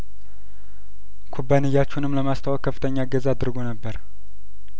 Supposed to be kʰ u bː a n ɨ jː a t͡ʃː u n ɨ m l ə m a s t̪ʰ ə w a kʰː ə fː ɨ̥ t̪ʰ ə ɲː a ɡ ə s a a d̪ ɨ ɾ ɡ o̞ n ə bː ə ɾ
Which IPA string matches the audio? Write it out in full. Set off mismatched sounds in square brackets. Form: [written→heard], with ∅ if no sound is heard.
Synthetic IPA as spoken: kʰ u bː a n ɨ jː a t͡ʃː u n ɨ m l ə m a s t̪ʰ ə w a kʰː ə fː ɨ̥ t̪ʰ ə ɲː a ɡ ə [s→z] a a d̪ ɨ ɾ ɡ o̞ n ə bː ə ɾ